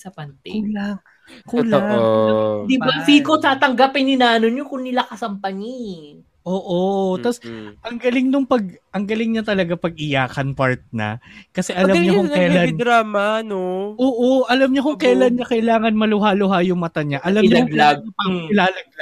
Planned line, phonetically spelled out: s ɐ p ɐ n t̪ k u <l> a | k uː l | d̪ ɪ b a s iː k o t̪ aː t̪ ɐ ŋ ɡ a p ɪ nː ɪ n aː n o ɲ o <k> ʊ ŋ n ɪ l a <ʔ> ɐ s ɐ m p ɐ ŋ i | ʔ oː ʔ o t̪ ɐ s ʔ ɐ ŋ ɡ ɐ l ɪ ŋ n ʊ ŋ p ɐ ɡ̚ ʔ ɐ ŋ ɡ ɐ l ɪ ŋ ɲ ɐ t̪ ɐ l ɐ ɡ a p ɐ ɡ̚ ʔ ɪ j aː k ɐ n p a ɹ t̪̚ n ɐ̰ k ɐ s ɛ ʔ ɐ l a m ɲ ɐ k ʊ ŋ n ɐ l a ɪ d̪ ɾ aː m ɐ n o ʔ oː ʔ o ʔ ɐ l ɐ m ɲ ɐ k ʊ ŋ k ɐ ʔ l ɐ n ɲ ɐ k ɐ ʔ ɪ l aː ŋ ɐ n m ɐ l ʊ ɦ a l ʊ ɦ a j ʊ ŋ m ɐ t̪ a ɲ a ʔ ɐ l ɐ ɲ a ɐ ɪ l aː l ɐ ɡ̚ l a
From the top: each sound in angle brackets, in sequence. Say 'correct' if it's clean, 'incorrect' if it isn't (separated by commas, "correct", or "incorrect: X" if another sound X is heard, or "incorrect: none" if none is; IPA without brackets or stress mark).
correct, correct, incorrect: k